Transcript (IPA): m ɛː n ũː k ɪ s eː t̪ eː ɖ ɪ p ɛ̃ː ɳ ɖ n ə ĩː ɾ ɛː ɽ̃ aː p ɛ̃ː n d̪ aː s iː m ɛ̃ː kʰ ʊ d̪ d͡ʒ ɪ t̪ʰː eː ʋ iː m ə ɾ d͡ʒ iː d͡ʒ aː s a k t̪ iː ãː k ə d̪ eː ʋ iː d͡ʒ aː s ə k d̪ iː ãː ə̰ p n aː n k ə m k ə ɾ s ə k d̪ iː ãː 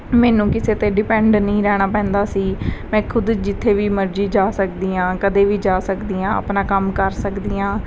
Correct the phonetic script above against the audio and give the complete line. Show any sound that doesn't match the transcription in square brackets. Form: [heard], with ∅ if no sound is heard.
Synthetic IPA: m ɛː n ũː k ɪ s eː t̪ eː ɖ ɪ p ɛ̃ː ɳ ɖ n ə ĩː ɾ ɛː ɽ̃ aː p ɛ̃ː n d̪ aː s iː m ɛ̃ː kʰ ʊ d̪ d͡ʒ ɪ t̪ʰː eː ʋ iː m ə ɾ d͡ʒ iː d͡ʒ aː s [ə] k [d̪] iː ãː k ə d̪ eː ʋ iː d͡ʒ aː s ə k d̪ iː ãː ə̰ p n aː [∅] k ə m k ə ɾ s ə k d̪ iː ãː